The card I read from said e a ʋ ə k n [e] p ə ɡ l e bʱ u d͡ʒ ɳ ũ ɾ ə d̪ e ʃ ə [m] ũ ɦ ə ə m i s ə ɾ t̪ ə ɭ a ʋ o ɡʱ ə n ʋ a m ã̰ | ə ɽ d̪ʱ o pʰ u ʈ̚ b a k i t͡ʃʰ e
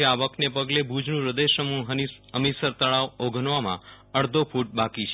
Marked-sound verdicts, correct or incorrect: correct, correct

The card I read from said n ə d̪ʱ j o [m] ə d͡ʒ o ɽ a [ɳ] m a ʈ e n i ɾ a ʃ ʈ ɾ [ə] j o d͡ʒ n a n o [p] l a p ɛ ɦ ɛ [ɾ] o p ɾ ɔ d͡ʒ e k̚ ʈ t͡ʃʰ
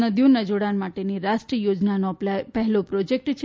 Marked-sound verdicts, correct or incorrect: incorrect: n, incorrect: n, correct, correct, incorrect: l

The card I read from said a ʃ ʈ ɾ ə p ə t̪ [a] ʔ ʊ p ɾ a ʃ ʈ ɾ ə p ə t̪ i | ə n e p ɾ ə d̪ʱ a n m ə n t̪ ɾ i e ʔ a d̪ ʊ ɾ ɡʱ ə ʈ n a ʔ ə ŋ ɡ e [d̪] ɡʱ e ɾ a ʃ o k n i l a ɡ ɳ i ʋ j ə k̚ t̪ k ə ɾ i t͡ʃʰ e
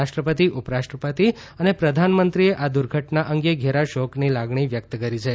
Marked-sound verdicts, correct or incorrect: incorrect: i, incorrect: none

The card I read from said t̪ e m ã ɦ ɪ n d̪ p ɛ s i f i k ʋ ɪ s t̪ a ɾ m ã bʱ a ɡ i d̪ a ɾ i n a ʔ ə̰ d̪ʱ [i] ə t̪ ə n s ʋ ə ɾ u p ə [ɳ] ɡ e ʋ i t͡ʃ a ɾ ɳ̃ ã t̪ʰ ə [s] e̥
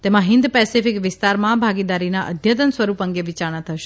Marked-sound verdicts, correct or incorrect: incorrect: j, incorrect: ŋ, incorrect: ʃ

